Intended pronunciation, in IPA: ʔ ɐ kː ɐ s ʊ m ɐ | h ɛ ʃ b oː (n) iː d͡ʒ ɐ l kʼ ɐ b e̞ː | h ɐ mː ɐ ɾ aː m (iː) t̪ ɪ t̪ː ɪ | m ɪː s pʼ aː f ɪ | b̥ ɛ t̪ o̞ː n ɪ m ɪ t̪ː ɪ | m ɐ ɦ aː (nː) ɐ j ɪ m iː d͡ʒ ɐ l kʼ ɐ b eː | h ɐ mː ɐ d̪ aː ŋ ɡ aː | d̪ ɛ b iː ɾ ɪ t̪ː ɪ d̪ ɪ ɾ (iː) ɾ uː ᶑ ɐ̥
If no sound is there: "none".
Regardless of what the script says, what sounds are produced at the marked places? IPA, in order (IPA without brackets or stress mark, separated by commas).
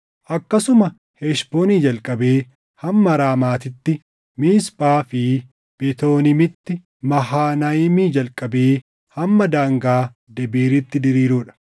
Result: n, aː, n, iː